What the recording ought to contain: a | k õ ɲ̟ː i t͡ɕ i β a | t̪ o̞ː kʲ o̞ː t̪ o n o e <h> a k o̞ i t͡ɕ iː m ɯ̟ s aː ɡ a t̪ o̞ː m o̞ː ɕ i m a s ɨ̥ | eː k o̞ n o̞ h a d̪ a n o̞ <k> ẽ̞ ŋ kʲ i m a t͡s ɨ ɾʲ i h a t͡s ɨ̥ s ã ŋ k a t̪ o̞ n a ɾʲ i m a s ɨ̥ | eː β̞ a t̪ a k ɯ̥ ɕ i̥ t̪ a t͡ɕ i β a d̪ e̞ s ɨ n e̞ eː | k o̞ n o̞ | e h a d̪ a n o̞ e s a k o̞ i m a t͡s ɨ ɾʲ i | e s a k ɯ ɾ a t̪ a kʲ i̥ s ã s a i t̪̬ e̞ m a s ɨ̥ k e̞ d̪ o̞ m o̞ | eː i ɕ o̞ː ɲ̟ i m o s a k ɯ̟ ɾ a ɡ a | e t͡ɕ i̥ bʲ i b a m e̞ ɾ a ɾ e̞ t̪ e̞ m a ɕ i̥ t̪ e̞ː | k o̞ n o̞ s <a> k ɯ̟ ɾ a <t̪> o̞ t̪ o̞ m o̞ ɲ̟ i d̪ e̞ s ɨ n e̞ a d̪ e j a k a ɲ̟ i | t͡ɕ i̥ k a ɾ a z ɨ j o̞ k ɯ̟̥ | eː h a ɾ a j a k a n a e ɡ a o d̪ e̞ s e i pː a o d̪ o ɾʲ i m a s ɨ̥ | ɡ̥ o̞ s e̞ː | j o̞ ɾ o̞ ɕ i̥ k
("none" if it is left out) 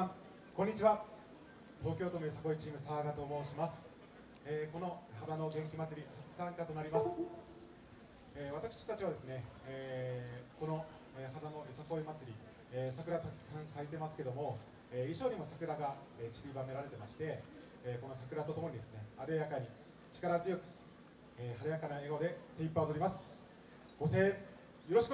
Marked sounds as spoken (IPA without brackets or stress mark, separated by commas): s, ɡ, a, t̪